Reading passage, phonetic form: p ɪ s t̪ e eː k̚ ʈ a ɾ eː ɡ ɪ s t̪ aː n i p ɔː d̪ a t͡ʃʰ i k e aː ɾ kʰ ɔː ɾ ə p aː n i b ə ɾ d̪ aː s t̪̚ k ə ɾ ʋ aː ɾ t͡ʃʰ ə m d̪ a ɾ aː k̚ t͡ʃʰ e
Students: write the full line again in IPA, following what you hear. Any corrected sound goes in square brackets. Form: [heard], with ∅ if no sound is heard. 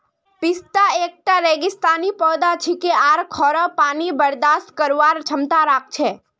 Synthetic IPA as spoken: p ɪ s t̪ [a] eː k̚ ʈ a ɾ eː ɡ ɪ s t̪ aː n i p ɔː d̪ a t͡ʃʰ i k e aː ɾ kʰ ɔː ɾ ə p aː n i b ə ɾ d̪ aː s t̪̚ k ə ɾ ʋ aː ɾ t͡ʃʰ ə m [t̪] a ɾ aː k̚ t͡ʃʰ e

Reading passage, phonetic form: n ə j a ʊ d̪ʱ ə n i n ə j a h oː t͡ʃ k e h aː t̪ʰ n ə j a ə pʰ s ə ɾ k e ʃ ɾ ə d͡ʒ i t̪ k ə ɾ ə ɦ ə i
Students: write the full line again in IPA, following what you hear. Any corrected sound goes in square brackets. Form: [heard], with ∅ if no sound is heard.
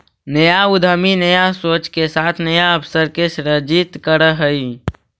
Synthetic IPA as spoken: n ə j a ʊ d̪ʱ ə [m] i n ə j a [s] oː t͡ʃ k e [s] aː t̪ʰ n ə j a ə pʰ s ə ɾ k e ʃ ɾ ə d͡ʒ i t̪ k ə ɾ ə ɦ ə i

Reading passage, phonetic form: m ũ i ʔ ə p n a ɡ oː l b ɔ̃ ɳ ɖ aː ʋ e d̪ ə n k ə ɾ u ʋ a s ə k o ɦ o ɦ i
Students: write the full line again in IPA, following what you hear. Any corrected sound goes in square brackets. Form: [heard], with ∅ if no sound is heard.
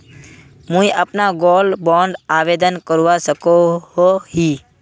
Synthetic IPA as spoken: m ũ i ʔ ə p n a ɡ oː l b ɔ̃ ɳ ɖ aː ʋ e d̪ ə n k ə ɾ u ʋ a s ə k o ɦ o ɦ i

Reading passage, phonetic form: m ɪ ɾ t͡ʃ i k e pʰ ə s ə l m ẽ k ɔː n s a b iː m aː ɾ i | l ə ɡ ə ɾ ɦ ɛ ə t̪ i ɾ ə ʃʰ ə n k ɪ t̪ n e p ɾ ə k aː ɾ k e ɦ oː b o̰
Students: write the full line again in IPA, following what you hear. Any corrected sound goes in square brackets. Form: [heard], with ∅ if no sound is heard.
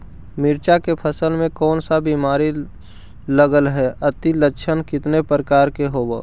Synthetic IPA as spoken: m ɪ ɾ t͡ʃ [a] k e pʰ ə s ə l m ẽ k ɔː n s a b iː m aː ɾ i | l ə ɡ ə [l] ɦ ɛ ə t̪ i [l] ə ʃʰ ə n k ɪ t̪ n e p ɾ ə k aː ɾ k e ɦ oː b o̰

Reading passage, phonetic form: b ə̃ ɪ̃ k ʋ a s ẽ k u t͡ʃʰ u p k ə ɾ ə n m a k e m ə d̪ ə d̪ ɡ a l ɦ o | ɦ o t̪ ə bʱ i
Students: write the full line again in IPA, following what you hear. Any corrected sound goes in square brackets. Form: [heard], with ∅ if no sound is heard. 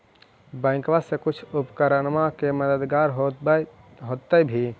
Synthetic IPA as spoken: b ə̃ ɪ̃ k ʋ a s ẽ k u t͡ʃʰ u p k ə ɾ ə n m a k e m ə d̪ ə d̪ ɡ a [ɾ] ɦ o | ɦ o t̪ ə bʱ i

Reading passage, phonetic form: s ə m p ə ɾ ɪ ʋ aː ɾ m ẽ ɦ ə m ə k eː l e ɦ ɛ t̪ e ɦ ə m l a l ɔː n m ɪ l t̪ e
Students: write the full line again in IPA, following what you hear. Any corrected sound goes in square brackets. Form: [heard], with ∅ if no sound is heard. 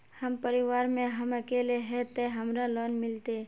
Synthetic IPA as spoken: [h] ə m p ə ɾ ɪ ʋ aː ɾ m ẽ ɦ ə m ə k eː l e ɦ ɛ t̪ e ɦ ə m [ɾ] a l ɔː n m ɪ l t̪ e

